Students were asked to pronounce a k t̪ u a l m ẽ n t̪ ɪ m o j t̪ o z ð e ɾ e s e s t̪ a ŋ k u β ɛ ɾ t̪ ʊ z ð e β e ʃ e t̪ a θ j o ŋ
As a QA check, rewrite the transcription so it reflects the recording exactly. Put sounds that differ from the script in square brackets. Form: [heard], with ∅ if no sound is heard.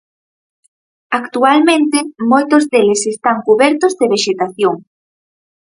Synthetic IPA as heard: a k t̪ u a l m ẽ n t̪ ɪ m o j t̪ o z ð e [l] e s e s t̪ a ŋ k u β ɛ ɾ t̪ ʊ z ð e β e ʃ e t̪ a θ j o ŋ